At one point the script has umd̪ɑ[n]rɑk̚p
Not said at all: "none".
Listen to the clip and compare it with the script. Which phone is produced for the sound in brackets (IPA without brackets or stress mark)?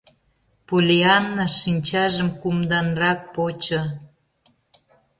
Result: n